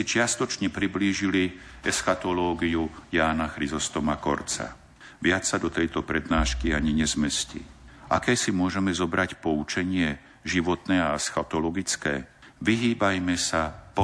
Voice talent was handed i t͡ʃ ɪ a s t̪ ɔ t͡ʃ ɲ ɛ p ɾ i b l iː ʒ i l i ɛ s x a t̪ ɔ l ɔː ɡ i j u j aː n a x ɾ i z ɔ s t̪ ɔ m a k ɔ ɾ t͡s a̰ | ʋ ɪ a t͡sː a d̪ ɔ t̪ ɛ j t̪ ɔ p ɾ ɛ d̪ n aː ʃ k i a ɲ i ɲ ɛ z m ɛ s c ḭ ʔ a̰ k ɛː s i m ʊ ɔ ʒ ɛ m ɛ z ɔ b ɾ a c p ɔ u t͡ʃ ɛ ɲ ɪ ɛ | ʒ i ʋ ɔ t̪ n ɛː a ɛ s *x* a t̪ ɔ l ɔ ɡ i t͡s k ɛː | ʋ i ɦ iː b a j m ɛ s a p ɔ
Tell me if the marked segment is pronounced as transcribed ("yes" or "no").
yes